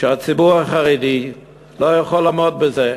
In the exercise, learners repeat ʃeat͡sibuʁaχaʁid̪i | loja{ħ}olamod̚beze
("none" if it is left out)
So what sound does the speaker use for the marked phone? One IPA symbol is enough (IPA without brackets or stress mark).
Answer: χ